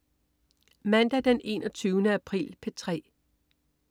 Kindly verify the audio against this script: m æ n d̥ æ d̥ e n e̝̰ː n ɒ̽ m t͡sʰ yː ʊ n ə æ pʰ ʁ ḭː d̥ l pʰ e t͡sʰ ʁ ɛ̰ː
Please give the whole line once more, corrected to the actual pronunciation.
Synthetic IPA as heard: m æ n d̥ æ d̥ e n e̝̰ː n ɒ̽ t͡sʰ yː ʊ n ə æ pʰ ʁ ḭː l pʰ e t͡sʰ ʁ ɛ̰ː